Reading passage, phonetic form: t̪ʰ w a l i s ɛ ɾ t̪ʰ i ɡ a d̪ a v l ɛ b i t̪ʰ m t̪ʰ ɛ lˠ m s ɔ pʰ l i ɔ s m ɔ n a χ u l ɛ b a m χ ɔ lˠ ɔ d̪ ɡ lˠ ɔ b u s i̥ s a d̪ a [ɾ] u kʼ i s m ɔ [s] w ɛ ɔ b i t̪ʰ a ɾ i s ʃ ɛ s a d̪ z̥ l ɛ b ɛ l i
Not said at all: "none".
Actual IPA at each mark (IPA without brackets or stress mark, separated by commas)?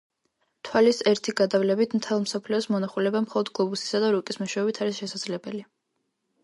ɾ, ʃ